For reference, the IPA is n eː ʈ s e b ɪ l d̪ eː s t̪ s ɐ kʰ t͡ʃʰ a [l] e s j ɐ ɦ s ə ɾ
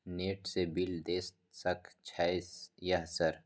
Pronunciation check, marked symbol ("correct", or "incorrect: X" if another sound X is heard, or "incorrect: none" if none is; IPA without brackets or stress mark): incorrect: none